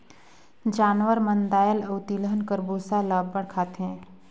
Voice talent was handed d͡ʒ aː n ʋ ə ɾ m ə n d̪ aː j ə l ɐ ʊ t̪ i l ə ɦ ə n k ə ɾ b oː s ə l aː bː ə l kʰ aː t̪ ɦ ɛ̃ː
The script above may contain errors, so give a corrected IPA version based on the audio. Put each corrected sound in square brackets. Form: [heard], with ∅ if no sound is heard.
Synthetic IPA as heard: d͡ʒ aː n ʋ ə ɾ m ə n d̪ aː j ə l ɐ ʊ t̪ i l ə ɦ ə n k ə ɾ b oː s [a] l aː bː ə [ɽ] kʰ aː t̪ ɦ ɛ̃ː